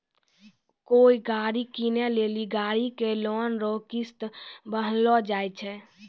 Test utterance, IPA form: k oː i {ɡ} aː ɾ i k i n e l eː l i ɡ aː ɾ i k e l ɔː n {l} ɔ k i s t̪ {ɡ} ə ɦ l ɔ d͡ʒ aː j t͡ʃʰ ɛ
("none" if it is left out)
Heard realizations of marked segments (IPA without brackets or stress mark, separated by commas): ɡ, ɾ, b